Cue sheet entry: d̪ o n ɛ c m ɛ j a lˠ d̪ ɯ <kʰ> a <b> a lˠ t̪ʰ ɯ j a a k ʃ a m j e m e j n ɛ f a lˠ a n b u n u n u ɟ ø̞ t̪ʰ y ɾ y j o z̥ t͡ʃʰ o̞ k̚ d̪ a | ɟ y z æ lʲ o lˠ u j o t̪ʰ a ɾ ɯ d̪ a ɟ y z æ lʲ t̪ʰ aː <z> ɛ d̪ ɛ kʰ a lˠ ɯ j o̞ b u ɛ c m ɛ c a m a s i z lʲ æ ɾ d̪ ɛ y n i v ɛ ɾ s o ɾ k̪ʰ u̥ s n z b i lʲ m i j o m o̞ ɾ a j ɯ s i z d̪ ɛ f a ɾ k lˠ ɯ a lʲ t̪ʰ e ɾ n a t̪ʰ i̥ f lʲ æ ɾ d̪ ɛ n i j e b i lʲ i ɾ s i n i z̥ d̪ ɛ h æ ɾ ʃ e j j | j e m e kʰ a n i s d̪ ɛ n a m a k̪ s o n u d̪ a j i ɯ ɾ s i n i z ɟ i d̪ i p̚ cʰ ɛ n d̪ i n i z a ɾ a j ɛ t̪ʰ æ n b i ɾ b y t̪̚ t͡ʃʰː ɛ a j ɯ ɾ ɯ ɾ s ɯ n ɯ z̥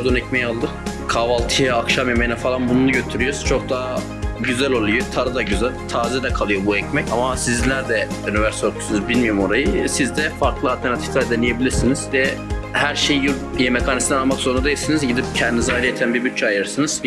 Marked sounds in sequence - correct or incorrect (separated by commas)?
correct, incorrect, correct